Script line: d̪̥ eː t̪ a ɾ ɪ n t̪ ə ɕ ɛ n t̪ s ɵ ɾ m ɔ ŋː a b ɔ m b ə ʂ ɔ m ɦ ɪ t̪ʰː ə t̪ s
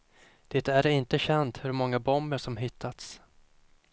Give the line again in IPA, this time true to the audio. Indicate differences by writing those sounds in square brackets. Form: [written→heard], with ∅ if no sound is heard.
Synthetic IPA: d̪̥ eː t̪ [a→æ] ɾ ɪ n t̪ ə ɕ ɛ n t̪ [s→h] ɵ ɾ m ɔ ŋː a b ɔ m b ə ʂ ɔ m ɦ ɪ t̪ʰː [ə→a] t̪ s